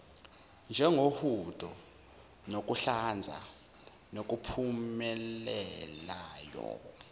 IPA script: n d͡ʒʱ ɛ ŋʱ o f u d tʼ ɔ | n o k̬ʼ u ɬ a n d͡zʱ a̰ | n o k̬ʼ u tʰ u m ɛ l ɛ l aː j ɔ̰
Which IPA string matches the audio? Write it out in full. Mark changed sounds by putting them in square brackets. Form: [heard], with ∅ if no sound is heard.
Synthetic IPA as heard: n d͡ʒʱ ɛ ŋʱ o [h] u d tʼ ɔ | n o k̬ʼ u ɬ a n d͡zʱ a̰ | n o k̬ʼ u [pʰ] u m ɛ l ɛ l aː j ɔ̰

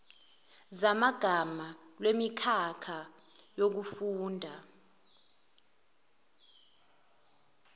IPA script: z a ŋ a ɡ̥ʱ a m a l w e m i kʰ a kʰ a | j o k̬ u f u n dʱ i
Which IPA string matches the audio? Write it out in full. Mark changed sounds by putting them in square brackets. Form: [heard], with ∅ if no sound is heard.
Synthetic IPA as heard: z a [m] a ɡ̥ʱ a m a l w e m i kʰ a kʰ a | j o k̬ u f [uː] n dʱ [a]

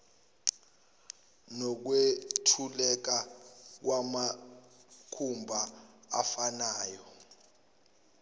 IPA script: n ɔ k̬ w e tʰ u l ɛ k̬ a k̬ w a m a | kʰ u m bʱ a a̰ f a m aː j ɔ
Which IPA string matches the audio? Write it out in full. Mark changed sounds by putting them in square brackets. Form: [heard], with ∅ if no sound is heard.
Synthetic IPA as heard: n ɔ k̬ w e tʰ u l ɛ k̬ a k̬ w a m a | kʰ u m bʱ a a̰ f a [n] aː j ɔ

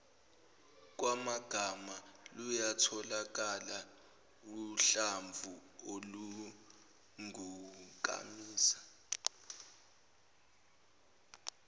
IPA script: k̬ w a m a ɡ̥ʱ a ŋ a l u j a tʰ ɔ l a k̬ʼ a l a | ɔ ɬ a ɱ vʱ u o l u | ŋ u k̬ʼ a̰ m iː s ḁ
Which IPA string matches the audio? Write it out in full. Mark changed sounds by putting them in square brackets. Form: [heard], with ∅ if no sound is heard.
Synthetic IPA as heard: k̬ w a m a ɡ̥ʱ a [m] a l u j a tʰ ɔ l a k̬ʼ a l a | [u] ɬ a ɱ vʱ u o l u | ŋ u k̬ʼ a̰ m iː s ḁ

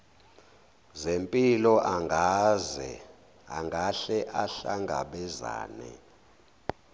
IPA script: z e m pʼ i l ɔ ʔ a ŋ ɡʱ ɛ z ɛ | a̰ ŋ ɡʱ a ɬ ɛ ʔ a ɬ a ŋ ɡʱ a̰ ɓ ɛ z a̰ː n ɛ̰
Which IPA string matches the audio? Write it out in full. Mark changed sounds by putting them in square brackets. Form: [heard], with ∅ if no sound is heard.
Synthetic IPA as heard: z e m pʼ i l ɔ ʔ a ŋ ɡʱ [a] z ɛ | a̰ ŋ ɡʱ a ɬ ɛ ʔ a ɬ a ŋ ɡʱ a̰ ɓ ɛ z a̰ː n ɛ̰

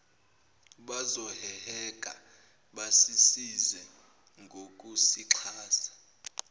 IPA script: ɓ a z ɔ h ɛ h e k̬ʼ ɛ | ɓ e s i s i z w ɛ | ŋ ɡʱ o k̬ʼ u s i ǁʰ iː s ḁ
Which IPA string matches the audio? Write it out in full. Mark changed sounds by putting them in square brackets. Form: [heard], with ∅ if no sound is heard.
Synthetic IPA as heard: ɓ a z ɔ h ɛ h [ɛ] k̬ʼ [a] | ɓ [a] s i s i z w ɛ | ŋ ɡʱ o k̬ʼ u s i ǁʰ [aː] s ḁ

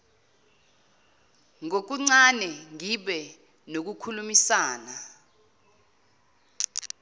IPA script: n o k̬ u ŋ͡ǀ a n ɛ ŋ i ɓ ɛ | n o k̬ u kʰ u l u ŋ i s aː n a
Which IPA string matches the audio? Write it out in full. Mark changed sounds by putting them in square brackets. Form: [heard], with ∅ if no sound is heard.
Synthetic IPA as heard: [ŋ] o k̬ u ŋ͡ǀ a n ɛ ŋ i ɓ ɛ | n o k̬ u kʰ u l u [m] i s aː n a

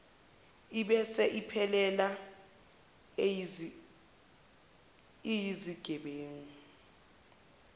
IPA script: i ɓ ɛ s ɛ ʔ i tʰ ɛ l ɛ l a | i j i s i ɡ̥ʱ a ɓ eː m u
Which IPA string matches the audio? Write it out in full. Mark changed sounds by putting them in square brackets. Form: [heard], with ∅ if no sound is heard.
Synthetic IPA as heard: i ɓ ɛ s ɛ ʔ i [pʰ] ɛ l ɛ l a | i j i [z] i ɡ̥ʱ [ɛ] ɓ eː [ŋ] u

